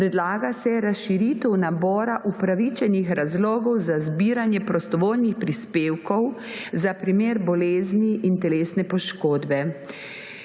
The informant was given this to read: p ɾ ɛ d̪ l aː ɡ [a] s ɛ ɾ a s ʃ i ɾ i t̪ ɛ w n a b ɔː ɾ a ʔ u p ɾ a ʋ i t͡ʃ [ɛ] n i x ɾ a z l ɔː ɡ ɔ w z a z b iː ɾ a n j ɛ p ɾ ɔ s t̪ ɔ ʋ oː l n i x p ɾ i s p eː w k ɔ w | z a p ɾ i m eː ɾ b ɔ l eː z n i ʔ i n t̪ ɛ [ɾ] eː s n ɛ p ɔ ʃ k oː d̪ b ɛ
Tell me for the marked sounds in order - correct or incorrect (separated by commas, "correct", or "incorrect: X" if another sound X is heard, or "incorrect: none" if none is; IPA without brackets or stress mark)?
correct, correct, incorrect: l